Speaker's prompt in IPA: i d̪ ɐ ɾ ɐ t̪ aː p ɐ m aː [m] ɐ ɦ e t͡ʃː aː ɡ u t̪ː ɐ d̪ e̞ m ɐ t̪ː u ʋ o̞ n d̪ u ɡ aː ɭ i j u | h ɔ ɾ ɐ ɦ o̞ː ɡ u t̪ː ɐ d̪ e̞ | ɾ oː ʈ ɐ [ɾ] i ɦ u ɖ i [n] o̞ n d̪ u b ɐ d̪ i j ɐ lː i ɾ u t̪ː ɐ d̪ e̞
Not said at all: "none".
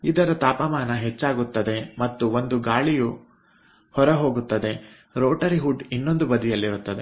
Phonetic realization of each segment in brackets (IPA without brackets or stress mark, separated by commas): n, ɾ, nː